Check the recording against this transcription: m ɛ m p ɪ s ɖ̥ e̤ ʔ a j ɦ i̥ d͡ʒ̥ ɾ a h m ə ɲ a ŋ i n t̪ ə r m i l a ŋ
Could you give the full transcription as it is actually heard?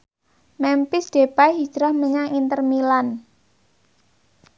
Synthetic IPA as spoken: m ɛ m p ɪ s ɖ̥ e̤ p a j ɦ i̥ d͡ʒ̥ ɾ a h m ə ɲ a ŋ i n t̪ ə r m i l a n

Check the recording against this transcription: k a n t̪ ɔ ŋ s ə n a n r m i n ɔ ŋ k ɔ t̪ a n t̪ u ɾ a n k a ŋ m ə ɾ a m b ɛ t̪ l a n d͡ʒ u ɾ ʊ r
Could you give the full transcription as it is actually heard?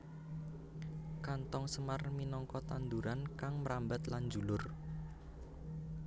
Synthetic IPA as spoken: k a n t̪ ɔ ŋ s ə m a r m i n ɔ ŋ k ɔ t̪ a n d̪ u ɾ a n k a ŋ m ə ɾ a m b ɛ t̪ l a n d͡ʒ u l ʊ r

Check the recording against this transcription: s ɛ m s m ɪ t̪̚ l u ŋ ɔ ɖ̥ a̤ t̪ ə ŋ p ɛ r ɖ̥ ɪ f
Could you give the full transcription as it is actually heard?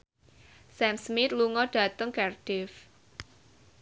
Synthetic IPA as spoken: s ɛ m s m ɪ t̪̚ l u ŋ ɔ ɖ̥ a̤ t̪ ə ŋ k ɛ r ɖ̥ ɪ f

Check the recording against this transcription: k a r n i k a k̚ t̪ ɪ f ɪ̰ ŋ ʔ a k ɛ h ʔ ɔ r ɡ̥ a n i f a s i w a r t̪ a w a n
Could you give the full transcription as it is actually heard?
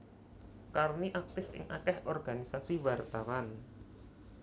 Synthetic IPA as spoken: k a r n i ʔ a k̚ t̪ ɪ f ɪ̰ ŋ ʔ a k ɛ h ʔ ɔ r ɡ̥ a n i s a s i w a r t̪ a w a n

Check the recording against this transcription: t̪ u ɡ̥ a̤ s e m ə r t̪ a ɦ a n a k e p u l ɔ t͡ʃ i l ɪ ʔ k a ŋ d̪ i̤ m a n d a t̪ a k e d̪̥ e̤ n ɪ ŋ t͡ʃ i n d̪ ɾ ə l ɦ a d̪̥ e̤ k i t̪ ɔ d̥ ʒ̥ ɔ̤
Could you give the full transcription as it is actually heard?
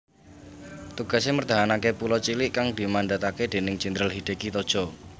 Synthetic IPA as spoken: t̪ u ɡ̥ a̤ s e m ə r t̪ a ɦ a n a k e p u l ɔ t͡ʃ i l ɪ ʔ k a ŋ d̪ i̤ m a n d a t̪ a k e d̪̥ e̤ n ɪ ŋ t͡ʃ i n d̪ ɾ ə l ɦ i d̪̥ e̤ k i t̪ ɔ d̥ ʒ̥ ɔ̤

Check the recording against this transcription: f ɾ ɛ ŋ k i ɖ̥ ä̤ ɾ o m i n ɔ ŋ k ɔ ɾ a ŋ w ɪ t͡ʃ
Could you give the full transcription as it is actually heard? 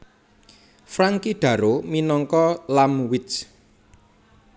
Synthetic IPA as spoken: f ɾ a ŋ k i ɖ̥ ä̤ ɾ o m i n ɔ ŋ k ɔ l a m w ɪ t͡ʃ

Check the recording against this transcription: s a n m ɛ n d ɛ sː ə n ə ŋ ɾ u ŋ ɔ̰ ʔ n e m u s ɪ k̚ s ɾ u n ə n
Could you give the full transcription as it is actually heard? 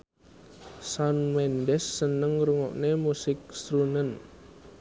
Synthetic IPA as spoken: s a n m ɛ n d ɛ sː ə n ə ŋ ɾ u ŋ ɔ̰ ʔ n e m u s ɪ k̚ s ɾ u n ə n

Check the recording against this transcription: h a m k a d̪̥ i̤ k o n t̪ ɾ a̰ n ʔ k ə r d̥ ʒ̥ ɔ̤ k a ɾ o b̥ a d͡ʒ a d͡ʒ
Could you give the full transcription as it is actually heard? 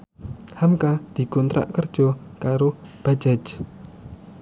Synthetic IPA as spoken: h a m k a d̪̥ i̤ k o n t̪ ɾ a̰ ʔ k ə r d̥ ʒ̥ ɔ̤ k a ɾ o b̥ a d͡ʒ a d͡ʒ

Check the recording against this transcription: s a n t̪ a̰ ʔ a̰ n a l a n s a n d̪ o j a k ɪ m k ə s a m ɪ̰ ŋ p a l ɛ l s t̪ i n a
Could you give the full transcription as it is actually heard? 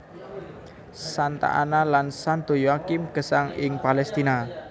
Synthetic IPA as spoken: s a n t̪ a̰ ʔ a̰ n a l a n s a n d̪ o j a k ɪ m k ə s a ŋ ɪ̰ ŋ p a l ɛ s t̪ i n a

